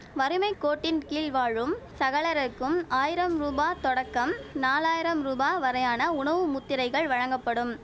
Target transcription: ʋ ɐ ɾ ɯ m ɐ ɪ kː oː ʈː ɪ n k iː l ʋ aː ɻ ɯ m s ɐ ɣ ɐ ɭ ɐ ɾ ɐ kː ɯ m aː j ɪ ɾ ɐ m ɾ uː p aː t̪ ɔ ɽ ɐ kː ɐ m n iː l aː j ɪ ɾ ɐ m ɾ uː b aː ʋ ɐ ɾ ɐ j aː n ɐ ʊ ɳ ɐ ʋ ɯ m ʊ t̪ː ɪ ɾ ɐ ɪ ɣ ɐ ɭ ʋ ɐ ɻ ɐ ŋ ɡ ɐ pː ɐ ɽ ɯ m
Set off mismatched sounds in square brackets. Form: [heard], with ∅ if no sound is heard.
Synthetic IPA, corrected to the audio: ʋ ɐ ɾ ɯ m ɐ ɪ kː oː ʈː ɪ n k iː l ʋ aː ɻ ɯ m s ɐ ɣ ɐ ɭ ɐ ɾ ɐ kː ɯ m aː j ɪ ɾ ɐ m ɾ uː [b] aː t̪ ɔ ɽ ɐ kː ɐ m n [aː] l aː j ɪ ɾ ɐ m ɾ uː b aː ʋ ɐ ɾ ɐ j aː n ɐ ʊ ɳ ɐ ʋ ɯ m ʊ t̪ː ɪ ɾ ɐ ɪ ɣ ɐ ɭ ʋ ɐ ɻ ɐ ŋ ɡ ɐ pː ɐ ɽ ɯ m